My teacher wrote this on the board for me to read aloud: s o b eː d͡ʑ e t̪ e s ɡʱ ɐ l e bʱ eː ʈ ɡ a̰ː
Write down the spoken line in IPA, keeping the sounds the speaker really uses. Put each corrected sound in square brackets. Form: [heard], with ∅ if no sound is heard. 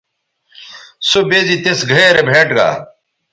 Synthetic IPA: s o b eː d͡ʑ [i] t̪ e s ɡʱ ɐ [ɾ] e bʱ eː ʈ ɡ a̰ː